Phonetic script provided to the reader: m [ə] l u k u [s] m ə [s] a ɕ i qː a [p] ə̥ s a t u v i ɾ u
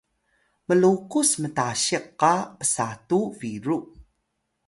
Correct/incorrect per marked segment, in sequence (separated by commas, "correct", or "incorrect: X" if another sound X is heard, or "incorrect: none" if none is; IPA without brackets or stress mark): correct, correct, incorrect: t, correct